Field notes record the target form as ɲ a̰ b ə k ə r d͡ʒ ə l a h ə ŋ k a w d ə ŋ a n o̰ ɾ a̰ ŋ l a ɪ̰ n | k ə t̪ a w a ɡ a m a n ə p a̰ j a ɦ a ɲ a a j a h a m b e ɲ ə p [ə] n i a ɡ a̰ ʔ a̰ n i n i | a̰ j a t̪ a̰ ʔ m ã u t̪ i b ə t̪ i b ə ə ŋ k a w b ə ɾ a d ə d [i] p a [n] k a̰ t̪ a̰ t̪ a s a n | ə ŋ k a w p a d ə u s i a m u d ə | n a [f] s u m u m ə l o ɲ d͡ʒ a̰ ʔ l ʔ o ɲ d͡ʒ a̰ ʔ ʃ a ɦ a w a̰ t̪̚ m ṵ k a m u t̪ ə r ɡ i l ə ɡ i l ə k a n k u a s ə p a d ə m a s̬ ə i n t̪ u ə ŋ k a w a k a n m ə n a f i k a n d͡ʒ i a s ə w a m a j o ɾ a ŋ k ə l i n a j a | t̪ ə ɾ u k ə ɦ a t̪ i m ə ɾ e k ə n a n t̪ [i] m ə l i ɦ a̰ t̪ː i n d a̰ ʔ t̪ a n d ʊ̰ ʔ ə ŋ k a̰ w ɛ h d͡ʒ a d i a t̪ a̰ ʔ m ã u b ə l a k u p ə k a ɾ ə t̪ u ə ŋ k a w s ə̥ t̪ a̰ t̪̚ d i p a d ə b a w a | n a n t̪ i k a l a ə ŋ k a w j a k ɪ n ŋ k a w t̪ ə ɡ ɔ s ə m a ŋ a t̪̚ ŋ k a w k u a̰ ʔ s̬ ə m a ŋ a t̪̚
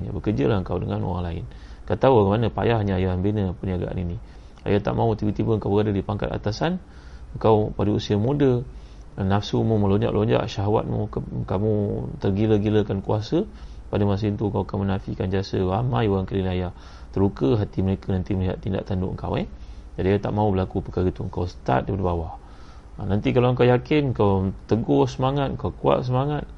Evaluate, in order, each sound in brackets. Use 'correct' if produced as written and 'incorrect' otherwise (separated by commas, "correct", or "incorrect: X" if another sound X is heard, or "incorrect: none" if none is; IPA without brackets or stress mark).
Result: correct, correct, incorrect: ŋ, correct, correct